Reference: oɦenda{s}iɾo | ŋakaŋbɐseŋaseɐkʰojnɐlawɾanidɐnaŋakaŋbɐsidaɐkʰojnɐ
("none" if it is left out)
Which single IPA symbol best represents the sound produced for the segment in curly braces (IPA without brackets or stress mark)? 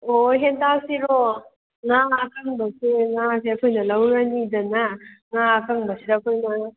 s